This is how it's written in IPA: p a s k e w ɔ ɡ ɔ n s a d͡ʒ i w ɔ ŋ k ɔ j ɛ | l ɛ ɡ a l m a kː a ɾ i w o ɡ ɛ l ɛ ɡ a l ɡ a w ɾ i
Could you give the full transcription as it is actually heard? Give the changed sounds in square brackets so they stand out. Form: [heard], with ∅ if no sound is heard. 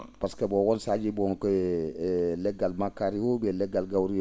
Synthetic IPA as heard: p a s k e [b] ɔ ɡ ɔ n s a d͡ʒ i [b] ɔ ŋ k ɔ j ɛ | l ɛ ɡ a l m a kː a ɾ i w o [b] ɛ l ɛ ɡ a l ɡ a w ɾ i